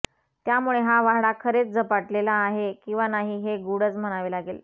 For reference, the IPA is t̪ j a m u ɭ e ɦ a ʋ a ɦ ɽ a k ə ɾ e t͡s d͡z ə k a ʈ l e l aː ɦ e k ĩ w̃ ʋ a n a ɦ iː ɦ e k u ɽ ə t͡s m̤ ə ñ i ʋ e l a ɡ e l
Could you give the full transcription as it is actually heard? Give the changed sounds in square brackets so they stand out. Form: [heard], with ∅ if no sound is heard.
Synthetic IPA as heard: t̪ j a m u ɭ e ɦ a ʋ a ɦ ɽ a [kʰ] ə ɾ e t͡s d͡z ə [p] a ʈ l e l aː ɦ e k ĩ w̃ ʋ a n a ɦ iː ɦ e [ɡ] u ɽ ə t͡s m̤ ə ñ [a] ʋ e l a ɡ e l